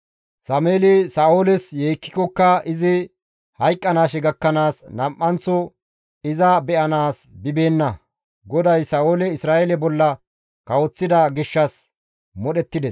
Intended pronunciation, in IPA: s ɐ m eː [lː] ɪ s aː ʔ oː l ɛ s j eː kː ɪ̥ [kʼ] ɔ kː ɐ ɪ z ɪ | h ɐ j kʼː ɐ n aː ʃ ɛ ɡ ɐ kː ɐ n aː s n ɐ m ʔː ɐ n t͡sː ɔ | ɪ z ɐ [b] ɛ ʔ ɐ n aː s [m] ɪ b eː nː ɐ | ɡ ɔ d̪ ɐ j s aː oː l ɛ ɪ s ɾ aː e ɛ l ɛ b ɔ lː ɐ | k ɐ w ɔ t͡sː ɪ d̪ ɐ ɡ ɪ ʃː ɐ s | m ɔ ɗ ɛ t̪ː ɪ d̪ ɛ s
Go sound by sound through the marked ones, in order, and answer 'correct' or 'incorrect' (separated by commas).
incorrect, incorrect, correct, incorrect